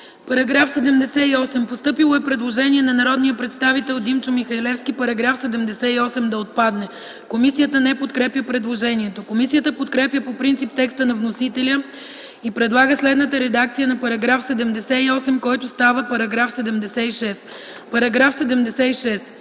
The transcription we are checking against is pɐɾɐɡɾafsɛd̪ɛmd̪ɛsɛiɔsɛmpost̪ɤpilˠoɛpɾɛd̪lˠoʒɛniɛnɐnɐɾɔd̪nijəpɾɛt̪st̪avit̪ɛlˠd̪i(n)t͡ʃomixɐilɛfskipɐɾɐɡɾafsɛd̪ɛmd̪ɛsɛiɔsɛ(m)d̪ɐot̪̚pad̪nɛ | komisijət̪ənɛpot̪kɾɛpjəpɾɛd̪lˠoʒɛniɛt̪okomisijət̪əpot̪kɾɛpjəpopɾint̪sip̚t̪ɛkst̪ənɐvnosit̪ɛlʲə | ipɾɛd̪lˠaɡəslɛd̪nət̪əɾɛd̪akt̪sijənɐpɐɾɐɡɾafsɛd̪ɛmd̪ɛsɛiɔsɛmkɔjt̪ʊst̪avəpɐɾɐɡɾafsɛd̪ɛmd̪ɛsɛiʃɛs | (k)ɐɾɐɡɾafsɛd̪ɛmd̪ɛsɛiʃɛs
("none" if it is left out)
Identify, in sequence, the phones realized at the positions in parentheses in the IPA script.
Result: m, m, p

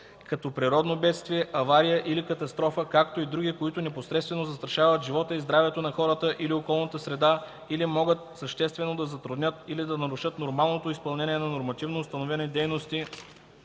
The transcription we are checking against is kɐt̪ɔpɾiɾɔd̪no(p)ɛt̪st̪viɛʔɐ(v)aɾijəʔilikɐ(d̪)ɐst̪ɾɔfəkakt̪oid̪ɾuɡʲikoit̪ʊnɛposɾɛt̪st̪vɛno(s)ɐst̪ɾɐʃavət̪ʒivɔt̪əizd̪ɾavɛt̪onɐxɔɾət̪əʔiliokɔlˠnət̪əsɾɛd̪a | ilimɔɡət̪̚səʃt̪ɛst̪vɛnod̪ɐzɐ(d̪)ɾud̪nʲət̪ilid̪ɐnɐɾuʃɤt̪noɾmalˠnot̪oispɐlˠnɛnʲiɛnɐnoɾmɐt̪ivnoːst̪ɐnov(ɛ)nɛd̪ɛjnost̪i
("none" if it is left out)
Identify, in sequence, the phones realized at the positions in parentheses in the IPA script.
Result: b, v, t̪, z, t̪, ɛ

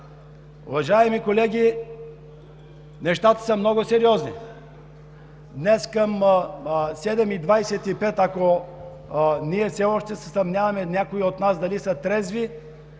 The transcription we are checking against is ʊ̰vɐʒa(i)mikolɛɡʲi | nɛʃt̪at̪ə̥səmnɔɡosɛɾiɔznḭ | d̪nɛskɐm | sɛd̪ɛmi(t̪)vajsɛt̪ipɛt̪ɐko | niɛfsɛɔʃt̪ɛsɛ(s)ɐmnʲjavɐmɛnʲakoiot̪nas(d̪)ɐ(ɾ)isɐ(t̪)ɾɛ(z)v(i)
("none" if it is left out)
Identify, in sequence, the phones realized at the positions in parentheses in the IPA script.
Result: ɛ, d̪, s, d̪, l, t̪, z, i

